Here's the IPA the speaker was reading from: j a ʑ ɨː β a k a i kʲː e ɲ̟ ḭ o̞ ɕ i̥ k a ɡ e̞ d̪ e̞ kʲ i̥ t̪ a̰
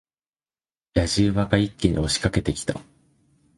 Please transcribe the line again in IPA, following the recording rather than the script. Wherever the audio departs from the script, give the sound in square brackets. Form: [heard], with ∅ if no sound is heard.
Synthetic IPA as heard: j a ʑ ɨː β a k a i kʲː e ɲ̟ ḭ o̞ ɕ i̥ k a [k] e̞ [t̪] e̞ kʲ i̥ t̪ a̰

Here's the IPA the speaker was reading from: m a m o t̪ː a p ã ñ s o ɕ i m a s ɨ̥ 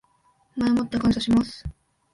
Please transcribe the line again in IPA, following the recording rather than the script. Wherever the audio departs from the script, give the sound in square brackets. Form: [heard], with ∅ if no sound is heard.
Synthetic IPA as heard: m a m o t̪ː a [k] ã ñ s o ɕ i m a s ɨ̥

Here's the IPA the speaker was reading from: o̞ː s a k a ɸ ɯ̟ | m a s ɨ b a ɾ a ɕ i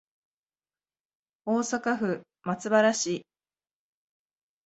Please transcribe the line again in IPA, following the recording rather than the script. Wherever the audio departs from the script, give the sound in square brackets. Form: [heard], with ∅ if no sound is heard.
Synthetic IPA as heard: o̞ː s a k a ɸ ɯ̟ | m a [t͡s] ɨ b a ɾ a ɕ i

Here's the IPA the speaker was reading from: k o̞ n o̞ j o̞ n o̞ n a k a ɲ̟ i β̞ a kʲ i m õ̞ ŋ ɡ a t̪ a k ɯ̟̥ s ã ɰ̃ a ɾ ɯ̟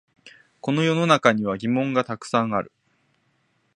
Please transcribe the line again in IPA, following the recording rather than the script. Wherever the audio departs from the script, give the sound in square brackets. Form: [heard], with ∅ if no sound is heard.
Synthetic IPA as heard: k o̞ n o̞ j o̞ n o̞ n a k a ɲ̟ i β̞ a [ɡʲ] i m õ̞ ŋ ɡ a t̪ a k ɯ̟̥ s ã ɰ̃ a ɾ ɯ̟

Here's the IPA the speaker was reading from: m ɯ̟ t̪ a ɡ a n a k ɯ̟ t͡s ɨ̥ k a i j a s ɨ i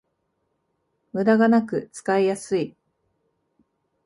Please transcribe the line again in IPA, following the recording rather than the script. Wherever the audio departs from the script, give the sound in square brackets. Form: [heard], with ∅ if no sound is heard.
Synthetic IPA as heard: m ɯ̟ [d̪] a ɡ a n a k ɯ̟ t͡s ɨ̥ k a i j a s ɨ i

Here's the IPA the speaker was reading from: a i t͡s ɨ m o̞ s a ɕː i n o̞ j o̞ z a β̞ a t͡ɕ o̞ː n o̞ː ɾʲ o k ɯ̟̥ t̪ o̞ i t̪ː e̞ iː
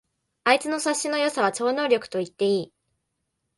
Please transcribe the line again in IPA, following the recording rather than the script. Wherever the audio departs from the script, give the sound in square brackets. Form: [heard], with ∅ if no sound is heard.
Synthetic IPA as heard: a i t͡s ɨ [n] o̞ s a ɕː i n o̞ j o̞ [s] a β̞ a t͡ɕ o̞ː n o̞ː ɾʲ o k ɯ̟̥ t̪ o̞ i t̪ː e̞ iː

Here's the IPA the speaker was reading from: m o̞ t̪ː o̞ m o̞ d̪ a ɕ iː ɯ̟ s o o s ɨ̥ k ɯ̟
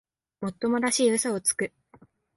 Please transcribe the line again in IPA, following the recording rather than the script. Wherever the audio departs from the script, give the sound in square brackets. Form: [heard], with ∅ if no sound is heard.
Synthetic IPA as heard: m o̞ t̪ː o̞ m o̞ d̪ a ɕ iː ɯ̟ s o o [t͡s] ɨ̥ k ɯ̟

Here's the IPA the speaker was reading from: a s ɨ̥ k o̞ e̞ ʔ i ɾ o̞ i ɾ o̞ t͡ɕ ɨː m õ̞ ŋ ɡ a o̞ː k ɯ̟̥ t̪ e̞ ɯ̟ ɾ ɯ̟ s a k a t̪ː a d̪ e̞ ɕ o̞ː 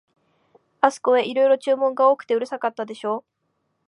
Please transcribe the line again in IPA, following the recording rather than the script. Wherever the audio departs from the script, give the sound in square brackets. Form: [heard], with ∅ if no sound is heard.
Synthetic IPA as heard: a s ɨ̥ k o̞ e̞ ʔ i ɾ o̞ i ɾ o̞ t͡ɕ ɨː m õ̞ ŋ ɡ a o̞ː k ɯ̟̥ t̪ e̞ ɯ̟ ɾ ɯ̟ s a k a t̪ː a d̪ e̞ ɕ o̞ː

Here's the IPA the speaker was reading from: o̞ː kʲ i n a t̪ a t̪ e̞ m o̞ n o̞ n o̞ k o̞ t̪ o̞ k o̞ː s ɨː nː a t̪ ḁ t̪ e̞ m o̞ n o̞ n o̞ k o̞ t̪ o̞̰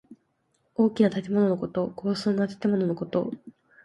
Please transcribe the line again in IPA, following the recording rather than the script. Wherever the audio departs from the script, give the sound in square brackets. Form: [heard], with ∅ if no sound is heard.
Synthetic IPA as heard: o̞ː kʲ i n a t̪ a t̪ e̞ m o̞ n o̞ n o̞ k o̞ t̪ o̞ k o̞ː s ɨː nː a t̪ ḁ t̪ e̞ m o̞ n o̞ n o̞ k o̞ t̪ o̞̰

